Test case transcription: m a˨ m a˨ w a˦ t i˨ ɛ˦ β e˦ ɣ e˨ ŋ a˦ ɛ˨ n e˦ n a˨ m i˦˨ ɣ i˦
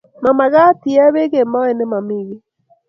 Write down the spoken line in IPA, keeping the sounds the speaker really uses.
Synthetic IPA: m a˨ m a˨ ɣ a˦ t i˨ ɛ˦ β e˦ ɣ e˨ m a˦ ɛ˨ n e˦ m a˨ m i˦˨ ɣ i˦